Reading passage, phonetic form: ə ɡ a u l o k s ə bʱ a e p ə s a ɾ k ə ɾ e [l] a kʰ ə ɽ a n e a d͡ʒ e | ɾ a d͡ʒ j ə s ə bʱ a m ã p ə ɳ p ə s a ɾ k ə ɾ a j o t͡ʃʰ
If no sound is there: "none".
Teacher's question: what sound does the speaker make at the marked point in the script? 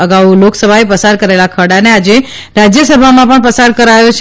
l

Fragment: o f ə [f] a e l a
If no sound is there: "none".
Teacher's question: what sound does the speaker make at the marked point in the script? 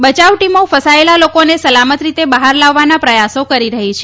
s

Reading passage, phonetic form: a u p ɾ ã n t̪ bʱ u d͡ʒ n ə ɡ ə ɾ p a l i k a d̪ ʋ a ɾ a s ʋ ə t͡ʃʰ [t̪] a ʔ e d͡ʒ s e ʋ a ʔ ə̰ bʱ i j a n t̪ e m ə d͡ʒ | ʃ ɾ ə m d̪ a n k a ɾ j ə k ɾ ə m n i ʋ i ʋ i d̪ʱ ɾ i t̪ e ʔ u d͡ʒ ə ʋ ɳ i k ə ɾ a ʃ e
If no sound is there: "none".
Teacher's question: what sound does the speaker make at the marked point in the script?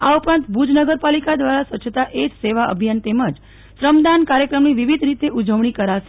t̪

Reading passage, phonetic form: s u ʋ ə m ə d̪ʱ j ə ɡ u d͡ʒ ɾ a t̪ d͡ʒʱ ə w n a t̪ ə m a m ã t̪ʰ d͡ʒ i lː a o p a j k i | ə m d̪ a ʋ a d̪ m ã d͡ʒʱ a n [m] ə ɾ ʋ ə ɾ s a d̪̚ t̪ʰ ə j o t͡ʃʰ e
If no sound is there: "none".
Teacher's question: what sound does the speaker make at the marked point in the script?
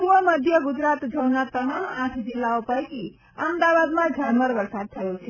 m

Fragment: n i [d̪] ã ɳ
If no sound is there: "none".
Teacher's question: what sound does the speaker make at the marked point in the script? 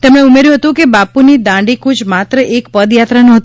d̪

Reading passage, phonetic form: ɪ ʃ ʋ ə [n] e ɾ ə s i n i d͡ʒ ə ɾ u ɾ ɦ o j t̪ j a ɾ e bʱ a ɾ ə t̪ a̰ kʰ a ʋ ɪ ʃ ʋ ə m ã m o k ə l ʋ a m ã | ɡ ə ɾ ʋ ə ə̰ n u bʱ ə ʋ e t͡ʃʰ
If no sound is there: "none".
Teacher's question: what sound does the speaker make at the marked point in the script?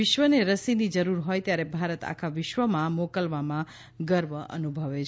n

